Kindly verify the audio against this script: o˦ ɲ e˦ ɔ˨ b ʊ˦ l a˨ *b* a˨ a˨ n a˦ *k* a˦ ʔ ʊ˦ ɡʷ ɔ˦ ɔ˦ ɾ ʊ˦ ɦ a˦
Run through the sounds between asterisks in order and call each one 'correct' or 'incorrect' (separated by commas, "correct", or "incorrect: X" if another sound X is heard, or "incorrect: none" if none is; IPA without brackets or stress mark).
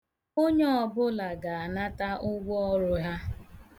incorrect: ɡ, incorrect: t